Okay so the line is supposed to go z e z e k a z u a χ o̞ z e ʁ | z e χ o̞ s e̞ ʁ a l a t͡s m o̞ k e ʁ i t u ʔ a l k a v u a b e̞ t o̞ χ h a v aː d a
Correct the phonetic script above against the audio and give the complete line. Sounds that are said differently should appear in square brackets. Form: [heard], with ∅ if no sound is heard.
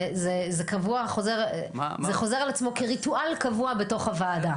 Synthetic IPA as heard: z e z e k a [v] u a χ o̞ z e ʁ | z e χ o̞ [z] e̞ ʁ a l a t͡s m o̞ k e ʁ i t u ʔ a l k a v u a b e̞ t o̞ χ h a v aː d a